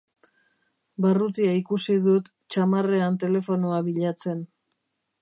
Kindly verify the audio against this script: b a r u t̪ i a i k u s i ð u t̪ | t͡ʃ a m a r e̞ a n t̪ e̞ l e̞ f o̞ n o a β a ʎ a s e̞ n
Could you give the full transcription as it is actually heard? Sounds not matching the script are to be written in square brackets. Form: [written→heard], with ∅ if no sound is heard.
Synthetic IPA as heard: b a r u t̪ i a i k u s i ð u t̪ | t͡ʃ a m a r e̞ a n t̪ e̞ l e̞ f o̞ n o a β [a→i] ʎ a [s→t͡s] e̞ n

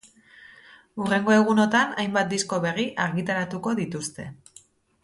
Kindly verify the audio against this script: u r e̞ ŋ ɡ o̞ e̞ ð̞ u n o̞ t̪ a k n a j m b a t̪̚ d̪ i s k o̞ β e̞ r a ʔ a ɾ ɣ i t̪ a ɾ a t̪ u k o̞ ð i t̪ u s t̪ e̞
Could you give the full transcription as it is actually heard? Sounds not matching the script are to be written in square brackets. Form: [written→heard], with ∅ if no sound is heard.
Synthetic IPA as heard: u r e̞ ŋ ɡ o̞ e̞ [ð̞→ɣ̞] u n o̞ t̪ a [k→∅] n a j m b a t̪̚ d̪ i s k o̞ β e̞ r [a→i] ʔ a ɾ ɣ i t̪ a ɾ a t̪ u k o̞ ð i t̪ u s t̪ e̞

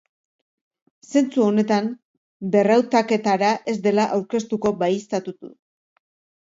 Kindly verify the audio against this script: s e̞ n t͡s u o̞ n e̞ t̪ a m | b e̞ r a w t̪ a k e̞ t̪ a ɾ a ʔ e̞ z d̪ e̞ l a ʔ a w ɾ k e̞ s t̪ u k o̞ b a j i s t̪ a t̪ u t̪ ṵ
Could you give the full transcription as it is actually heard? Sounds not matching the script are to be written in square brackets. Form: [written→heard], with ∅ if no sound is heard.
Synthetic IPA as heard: s e̞ n t͡s u o̞ n e̞ t̪ a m | b e̞ r a w t̪ a k e̞ t̪ a ɾ a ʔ e̞ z d̪ e̞ l a ʔ a w ɾ k e̞ s t̪ u k o̞ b a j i s t̪ a t̪ u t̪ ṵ

